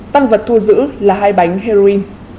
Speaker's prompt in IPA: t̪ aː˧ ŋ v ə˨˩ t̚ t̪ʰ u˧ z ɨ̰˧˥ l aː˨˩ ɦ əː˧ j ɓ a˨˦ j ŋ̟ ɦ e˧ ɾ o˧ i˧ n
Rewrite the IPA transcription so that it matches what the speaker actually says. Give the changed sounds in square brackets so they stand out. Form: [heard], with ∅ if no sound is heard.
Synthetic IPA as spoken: t̪ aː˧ ŋ v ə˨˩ t̚ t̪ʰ u˧ z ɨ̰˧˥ l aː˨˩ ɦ [aː˧] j ɓ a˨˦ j ŋ̟ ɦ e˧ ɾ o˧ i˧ n